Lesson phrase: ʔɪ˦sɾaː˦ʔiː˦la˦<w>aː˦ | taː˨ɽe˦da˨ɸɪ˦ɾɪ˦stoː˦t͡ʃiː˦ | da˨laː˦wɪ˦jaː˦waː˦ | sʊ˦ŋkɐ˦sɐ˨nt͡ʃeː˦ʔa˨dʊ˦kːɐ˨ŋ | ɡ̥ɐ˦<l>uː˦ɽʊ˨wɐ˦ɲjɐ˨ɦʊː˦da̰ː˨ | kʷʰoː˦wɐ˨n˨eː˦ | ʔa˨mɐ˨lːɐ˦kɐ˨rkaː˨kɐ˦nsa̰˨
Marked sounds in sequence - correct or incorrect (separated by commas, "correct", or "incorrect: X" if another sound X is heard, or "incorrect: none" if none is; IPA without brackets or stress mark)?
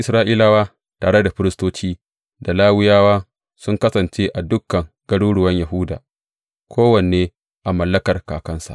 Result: correct, incorrect: ɽ